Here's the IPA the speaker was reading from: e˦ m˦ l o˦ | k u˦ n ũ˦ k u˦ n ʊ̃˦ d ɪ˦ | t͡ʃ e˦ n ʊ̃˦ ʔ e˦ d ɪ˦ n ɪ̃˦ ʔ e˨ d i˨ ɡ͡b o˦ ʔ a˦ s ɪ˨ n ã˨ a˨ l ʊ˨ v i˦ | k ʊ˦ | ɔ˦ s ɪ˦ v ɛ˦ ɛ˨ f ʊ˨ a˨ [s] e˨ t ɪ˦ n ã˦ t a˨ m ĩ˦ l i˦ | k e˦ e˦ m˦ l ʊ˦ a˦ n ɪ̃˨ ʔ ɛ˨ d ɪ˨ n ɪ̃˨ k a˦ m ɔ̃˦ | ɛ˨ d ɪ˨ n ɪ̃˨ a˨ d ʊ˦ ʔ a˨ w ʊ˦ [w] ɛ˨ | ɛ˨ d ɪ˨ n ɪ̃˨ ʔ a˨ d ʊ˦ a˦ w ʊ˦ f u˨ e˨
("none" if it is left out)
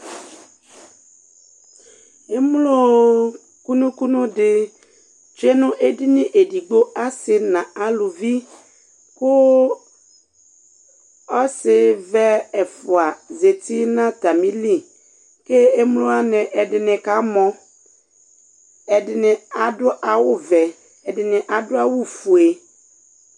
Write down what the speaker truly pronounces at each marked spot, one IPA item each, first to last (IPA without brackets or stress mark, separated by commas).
z, v